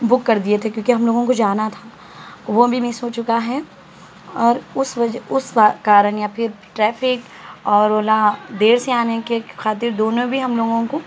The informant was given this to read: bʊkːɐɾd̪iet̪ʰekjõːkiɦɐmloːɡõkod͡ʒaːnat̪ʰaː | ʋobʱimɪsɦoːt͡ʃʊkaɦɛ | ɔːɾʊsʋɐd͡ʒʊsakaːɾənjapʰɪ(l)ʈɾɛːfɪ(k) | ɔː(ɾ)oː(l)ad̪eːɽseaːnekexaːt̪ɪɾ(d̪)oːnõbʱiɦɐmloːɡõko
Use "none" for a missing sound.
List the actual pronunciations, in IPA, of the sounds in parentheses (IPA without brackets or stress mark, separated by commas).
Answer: ɾ, k, ɾ, l, d̪